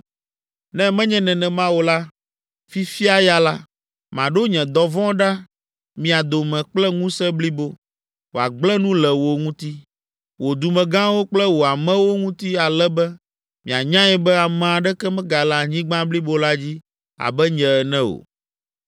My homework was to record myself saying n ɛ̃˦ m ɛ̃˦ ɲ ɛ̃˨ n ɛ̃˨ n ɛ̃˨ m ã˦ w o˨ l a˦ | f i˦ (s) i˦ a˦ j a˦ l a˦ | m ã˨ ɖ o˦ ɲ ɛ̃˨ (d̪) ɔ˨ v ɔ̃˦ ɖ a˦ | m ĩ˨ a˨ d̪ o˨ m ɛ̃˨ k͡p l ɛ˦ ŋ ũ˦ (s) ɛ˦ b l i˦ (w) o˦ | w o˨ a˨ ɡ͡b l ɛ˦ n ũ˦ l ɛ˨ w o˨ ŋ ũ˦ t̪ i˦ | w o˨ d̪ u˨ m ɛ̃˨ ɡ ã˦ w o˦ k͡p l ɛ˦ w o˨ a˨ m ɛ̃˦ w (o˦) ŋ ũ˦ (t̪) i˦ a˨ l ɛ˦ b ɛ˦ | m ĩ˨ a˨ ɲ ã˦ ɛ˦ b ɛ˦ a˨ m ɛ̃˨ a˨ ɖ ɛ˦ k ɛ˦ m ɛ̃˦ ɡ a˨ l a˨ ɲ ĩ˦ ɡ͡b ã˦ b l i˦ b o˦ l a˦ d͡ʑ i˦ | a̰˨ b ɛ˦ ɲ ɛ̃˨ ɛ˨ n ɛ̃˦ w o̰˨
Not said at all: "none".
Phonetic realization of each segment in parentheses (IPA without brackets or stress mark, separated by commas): f, d̪, s, b, o˦, t̪